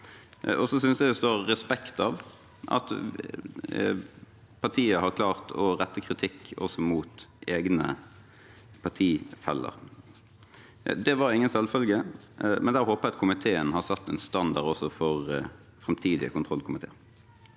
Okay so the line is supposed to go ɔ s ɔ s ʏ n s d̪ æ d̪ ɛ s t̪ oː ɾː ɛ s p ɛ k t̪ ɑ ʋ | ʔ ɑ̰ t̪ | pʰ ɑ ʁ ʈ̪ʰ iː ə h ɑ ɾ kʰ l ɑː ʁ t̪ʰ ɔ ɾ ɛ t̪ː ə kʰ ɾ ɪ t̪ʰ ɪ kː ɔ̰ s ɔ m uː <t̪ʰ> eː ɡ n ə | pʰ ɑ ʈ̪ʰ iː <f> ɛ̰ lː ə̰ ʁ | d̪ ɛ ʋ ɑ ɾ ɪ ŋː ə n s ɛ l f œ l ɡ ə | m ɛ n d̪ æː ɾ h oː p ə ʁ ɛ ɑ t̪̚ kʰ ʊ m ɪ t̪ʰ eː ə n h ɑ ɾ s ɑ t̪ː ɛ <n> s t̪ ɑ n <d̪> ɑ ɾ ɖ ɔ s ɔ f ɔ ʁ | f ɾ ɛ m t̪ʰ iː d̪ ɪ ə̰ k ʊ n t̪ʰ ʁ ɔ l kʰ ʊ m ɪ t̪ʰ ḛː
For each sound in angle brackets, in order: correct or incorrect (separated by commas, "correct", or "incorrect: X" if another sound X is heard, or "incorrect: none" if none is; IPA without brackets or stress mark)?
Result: incorrect: t̪, correct, correct, correct